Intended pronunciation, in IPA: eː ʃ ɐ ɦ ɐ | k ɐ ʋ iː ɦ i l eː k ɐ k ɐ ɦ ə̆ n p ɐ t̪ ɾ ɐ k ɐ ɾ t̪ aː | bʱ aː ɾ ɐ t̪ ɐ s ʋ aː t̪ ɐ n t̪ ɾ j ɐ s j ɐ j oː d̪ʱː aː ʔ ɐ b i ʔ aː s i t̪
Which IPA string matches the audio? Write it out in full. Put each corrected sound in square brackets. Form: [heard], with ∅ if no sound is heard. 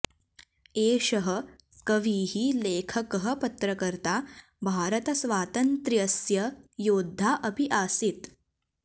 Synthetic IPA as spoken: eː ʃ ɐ ɦ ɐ | k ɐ ʋ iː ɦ i l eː [kʰ] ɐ k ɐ ɦ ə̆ [∅] p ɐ t̪ ɾ ɐ k ɐ ɾ t̪ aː | bʱ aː ɾ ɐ t̪ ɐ s ʋ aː t̪ ɐ n t̪ ɾ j ɐ s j ɐ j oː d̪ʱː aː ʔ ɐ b i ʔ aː s i t̪